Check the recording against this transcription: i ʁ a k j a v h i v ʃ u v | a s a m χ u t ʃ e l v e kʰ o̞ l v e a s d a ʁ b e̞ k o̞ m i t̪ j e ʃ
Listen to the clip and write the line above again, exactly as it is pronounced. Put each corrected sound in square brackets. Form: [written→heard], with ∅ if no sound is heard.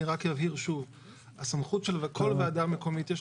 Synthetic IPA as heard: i ʁ a k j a v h i [v→ʁ] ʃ u v | a s a m χ u t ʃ e l v e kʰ o̞ l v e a [s→∅] d a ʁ [b→m] e̞ k o̞ m i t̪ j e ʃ